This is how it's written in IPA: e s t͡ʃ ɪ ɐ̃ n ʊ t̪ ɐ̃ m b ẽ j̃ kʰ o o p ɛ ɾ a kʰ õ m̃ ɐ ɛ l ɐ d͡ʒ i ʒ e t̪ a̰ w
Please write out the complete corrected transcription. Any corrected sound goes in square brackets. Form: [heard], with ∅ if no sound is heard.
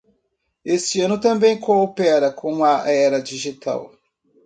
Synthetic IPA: e s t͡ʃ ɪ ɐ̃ n ʊ t̪ ɐ̃ m b ẽ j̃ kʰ o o p ɛ ɾ [ɐ] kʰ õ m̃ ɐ ɛ [ɾ] ɐ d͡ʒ i ʒ [i] t̪ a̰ w